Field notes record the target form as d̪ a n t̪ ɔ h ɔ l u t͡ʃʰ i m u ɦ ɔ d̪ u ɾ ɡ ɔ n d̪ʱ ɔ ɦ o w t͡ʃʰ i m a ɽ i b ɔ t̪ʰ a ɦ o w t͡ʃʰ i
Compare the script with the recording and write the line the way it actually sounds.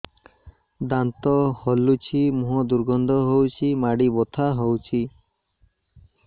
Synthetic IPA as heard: d̪ a n t̪ ɔ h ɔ l u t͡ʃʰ i m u ɦ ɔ d̪ u ɾ ɡ ɔ n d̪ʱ ɔ ɦ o w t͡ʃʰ i m a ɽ i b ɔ t̪ʰ a ɦ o w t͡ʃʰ i